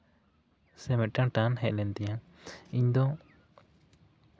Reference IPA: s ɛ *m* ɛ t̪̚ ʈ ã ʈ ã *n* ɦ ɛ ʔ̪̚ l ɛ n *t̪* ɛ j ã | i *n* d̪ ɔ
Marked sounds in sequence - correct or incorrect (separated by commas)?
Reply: correct, correct, correct, incorrect